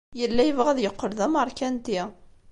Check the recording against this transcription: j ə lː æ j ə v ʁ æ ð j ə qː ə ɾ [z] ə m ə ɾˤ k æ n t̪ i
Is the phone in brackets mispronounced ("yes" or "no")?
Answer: yes